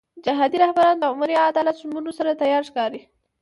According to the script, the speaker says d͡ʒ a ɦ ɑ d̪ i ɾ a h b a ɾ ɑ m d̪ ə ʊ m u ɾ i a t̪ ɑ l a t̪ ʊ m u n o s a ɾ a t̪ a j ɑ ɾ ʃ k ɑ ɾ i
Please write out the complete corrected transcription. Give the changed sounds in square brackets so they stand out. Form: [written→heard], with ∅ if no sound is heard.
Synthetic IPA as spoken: d͡ʒ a ɦ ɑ d̪ i ɾ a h b a ɾ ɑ [m→n] d̪ ə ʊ m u ɾ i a [t̪→d̪] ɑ l a t̪ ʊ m u n o s a ɾ a t̪ a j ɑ ɾ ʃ k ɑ ɾ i